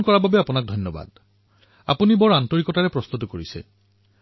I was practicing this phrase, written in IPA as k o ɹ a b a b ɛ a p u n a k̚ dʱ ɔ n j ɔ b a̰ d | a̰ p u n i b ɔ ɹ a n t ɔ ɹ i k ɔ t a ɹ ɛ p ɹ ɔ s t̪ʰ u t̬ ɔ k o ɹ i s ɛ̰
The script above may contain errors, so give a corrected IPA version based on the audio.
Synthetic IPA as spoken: k ɔ ɹ a b a b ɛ a p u n a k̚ dʱ ɔ n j ɔ b a̰ d | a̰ p u n i b ɔ ɹ a n t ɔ ɹ i k ɔ t a ɹ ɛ p ɹ ɔ s t̪ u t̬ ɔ k o ɹ i s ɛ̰